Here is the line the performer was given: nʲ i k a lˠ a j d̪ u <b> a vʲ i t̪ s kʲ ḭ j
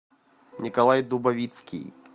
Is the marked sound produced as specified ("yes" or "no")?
yes